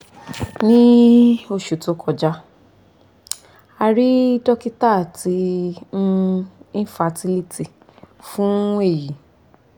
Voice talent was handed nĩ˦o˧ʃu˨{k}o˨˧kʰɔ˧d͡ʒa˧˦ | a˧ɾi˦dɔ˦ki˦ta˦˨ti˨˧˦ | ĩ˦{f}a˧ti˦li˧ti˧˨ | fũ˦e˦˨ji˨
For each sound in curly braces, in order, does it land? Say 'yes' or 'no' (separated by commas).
no, yes